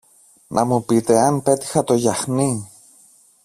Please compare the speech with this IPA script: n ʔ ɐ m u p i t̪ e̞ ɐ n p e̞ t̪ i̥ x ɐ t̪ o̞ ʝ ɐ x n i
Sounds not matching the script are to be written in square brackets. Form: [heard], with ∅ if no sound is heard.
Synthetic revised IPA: n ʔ ɐ m u p i t̪ e̞ ɐ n p e̞ t̪ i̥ x ɐ t̪ o̞ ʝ ɐ x n i